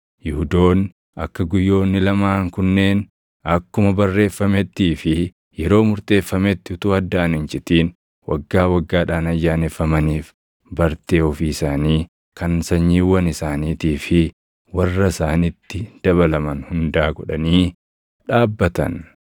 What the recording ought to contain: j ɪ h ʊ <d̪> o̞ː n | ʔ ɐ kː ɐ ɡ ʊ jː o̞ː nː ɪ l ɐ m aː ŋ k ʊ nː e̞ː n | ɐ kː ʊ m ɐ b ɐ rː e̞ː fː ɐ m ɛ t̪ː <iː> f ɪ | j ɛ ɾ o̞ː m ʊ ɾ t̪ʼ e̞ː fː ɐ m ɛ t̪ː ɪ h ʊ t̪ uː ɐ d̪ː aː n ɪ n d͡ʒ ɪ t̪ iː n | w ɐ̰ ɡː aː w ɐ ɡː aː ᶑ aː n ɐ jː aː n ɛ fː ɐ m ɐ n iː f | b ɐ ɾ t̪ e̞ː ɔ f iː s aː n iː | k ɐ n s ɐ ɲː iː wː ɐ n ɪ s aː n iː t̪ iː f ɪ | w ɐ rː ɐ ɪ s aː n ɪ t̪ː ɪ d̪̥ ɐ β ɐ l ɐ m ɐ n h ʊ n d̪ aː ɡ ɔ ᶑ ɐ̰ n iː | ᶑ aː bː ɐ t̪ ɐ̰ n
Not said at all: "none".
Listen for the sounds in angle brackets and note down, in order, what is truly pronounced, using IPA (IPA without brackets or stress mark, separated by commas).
d̪, iː